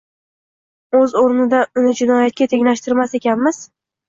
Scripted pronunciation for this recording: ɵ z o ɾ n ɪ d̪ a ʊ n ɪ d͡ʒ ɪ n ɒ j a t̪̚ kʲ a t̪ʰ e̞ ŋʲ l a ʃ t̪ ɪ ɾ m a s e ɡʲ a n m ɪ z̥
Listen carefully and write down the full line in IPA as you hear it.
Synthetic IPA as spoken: ɵ z o ɾ n ɪ d̪ a ʊ n ɪ d͡ʒ ɪ n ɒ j a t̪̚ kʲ a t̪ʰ e̞ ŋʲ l a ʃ t̪ ɪ ɾ m a s e kʲ a n m ɪ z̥